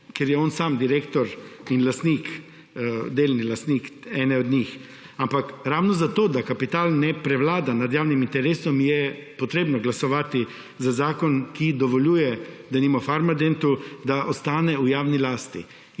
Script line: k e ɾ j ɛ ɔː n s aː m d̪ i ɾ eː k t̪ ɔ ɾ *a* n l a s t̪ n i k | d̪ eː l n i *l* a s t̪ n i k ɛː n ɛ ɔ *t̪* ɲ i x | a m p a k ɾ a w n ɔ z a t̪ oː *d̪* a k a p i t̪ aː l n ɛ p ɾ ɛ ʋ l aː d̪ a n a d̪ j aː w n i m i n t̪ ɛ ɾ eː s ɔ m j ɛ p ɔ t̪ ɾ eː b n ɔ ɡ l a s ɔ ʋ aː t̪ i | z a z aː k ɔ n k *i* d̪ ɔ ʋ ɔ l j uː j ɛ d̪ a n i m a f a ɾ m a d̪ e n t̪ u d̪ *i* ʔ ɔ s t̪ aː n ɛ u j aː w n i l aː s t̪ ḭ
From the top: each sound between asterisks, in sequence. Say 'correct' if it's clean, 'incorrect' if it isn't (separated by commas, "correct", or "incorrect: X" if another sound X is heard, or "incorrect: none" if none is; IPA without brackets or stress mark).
incorrect: i, correct, incorrect: d̪, correct, correct, incorrect: a